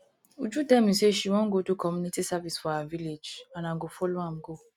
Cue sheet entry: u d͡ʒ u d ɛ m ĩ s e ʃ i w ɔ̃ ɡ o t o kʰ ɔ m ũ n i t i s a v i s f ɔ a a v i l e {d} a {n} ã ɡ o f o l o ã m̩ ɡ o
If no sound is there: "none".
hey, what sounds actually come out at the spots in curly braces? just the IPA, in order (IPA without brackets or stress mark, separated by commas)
d͡ʒ, n